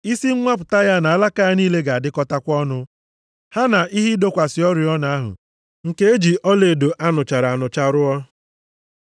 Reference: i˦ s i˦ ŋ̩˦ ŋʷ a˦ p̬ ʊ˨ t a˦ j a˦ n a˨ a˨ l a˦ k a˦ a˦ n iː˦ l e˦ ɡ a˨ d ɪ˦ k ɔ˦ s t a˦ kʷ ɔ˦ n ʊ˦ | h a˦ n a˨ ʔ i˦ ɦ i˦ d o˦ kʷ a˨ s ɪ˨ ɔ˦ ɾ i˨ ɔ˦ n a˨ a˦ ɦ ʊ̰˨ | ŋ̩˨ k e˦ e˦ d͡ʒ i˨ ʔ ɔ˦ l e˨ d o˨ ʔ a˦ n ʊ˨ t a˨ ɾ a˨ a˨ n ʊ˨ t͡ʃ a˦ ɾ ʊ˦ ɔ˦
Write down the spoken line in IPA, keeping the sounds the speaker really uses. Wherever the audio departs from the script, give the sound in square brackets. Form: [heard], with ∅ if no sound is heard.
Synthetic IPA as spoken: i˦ s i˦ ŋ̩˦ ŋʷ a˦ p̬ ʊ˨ t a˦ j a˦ n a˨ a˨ l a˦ k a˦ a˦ n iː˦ l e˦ ɡ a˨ d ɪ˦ k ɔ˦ [∅] t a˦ kʷ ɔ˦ n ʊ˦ | h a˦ n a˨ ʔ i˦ ɦ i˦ d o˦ kʷ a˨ s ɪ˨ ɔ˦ ɾ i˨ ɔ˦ n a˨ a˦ ɦ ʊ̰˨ | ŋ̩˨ k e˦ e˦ d͡ʒ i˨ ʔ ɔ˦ l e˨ d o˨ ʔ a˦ n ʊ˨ [t͡ʃ] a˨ ɾ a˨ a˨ n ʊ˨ t͡ʃ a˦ ɾ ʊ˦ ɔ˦